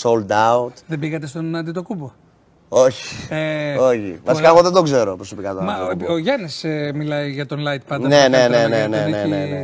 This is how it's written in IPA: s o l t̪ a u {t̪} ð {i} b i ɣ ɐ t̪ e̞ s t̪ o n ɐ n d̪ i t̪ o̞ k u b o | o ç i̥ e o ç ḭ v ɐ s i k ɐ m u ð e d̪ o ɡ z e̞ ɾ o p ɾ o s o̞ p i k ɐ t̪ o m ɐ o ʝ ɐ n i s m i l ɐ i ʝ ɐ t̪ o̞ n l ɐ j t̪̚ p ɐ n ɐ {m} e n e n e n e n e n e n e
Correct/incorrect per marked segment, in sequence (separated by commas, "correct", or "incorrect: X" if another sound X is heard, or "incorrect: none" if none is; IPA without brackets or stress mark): correct, incorrect: e, incorrect: n